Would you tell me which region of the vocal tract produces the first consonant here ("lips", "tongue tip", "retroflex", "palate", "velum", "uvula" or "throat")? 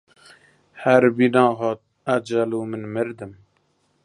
throat